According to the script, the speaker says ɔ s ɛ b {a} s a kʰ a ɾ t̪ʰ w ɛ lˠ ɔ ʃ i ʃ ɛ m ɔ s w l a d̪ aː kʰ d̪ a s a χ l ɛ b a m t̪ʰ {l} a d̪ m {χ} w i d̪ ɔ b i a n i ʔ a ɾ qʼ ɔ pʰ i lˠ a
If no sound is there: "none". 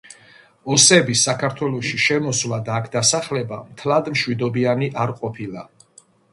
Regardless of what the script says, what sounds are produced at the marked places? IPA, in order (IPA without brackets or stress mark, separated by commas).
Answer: i, l, ʃ